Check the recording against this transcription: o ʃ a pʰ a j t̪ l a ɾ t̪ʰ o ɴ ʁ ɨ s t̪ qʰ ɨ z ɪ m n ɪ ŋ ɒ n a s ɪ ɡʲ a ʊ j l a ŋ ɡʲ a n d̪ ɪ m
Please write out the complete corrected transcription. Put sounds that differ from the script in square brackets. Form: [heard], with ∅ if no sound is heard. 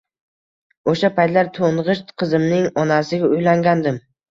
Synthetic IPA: o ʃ a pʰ a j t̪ l a ɾ t̪ʰ o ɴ ʁ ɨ [ʃ] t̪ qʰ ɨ z ɪ m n ɪ ŋ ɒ n a s ɪ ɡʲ a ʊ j l a ŋ ɡʲ a n d̪ ɪ m